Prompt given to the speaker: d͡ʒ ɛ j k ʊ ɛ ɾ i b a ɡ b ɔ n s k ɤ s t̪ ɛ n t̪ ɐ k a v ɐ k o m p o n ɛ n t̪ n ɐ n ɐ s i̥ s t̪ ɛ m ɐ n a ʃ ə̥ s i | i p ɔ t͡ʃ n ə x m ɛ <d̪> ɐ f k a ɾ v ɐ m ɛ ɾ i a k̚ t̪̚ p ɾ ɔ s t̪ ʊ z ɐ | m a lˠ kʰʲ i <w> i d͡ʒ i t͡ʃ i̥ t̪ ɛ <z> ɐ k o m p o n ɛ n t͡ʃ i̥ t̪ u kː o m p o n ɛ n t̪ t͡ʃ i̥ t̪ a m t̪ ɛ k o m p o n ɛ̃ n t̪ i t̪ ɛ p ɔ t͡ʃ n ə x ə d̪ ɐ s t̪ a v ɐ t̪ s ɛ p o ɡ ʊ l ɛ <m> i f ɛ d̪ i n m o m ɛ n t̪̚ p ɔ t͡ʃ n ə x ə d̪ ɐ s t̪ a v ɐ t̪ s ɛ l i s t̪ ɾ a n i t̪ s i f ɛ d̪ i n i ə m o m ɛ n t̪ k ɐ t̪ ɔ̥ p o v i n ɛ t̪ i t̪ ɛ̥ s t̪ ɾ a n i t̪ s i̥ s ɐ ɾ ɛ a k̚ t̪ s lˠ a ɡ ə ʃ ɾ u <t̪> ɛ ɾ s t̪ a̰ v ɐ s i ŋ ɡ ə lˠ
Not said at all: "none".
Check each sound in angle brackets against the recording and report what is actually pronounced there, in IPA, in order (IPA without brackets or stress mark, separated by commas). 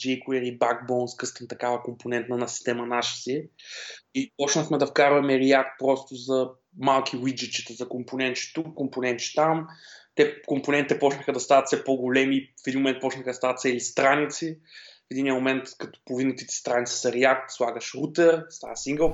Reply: d̪, w, z, m, t̪